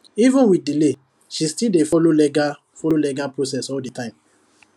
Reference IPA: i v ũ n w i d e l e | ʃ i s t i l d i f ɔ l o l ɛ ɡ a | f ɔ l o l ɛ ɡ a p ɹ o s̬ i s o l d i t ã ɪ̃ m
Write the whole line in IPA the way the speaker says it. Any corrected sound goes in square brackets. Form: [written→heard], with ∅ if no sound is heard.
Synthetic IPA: i v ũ n w i d [e→i] l e | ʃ i s t i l d [i→e] f ɔ l o l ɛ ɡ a | f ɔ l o l ɛ ɡ a p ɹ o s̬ [i→ɛ] s [o→ɔ] l d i t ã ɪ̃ m